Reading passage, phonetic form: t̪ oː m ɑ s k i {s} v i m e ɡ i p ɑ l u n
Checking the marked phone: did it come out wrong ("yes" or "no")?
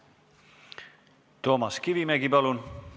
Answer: yes